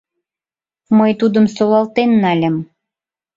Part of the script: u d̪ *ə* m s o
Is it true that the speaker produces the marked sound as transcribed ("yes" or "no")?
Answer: yes